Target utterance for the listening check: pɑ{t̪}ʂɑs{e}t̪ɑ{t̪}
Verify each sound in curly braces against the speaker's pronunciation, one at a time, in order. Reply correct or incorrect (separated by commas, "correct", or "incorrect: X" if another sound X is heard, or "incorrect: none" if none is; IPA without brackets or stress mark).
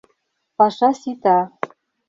incorrect: none, incorrect: i, incorrect: none